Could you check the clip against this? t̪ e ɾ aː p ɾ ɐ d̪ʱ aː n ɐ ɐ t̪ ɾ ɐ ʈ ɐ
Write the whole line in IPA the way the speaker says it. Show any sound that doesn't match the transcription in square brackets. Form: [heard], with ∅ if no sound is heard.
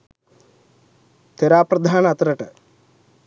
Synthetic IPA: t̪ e ɾ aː p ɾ ɐ d̪ʱ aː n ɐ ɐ t̪ ɾ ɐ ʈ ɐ